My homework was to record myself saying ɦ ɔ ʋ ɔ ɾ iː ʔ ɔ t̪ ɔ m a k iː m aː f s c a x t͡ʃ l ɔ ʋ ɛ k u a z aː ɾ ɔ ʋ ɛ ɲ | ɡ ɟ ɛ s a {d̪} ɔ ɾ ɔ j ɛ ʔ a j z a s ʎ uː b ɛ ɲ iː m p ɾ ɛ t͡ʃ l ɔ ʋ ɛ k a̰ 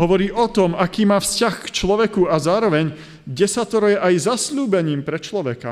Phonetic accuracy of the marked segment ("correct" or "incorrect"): incorrect